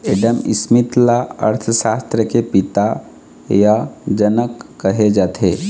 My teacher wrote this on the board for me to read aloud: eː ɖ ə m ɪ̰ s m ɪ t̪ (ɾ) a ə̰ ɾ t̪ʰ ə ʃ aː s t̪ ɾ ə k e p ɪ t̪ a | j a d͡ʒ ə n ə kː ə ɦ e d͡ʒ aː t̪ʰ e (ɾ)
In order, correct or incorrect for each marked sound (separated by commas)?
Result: incorrect, incorrect